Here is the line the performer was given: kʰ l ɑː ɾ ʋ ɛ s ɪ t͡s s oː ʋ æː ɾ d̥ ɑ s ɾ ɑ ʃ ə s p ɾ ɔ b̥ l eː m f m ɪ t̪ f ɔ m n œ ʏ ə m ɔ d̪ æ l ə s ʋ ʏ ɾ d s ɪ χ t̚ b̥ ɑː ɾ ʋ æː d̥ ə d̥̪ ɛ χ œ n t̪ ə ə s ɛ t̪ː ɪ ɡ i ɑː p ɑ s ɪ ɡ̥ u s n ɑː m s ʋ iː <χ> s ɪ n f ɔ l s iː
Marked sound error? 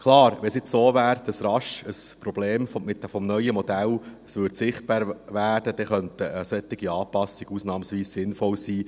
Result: yes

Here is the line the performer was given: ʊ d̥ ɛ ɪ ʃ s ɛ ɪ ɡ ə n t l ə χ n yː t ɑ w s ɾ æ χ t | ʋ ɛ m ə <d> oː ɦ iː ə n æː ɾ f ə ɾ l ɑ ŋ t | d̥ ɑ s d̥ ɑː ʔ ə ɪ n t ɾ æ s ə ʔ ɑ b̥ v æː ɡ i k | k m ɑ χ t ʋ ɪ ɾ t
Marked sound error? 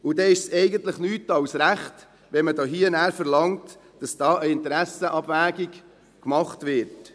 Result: no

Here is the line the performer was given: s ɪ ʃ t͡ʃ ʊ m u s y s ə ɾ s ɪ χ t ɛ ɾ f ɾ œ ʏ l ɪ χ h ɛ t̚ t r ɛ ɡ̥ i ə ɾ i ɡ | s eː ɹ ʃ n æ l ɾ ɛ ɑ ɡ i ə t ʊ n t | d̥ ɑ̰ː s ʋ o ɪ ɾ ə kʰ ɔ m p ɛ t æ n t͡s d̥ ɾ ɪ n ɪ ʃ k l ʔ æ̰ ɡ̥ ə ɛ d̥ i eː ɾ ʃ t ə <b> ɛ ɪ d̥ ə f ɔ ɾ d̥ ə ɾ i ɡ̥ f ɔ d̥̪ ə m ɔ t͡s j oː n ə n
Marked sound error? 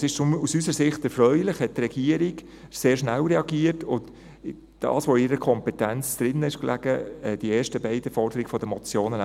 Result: no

